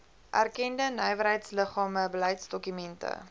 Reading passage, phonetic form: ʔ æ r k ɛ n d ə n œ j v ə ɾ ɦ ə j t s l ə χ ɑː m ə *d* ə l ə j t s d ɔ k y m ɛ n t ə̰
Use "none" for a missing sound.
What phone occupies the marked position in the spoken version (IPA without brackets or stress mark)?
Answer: b